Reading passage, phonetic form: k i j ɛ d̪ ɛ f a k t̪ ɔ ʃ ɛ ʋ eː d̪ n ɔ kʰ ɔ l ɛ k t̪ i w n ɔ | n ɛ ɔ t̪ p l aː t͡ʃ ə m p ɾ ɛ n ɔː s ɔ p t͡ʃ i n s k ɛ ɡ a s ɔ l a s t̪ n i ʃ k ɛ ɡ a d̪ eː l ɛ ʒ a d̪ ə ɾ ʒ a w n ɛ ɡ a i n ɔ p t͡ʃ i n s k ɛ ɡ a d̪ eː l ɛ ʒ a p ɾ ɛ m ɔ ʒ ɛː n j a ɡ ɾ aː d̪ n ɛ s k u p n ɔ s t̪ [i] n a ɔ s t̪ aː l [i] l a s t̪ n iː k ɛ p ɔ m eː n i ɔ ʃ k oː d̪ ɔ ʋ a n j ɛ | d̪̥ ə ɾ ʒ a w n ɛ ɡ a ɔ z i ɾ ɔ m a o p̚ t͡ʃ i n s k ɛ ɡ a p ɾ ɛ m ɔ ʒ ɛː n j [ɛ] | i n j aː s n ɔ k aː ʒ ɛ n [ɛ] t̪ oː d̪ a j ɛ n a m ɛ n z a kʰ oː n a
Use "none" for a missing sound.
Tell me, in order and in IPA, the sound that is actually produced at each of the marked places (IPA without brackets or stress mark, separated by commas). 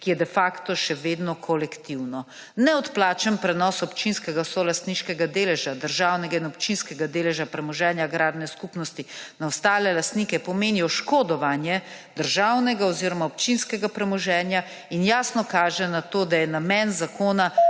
i, ɛ, a, a